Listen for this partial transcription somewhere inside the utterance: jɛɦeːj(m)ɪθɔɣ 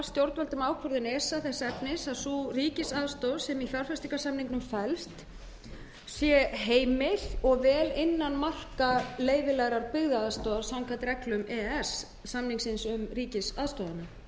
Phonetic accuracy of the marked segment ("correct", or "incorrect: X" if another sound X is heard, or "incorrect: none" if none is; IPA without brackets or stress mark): correct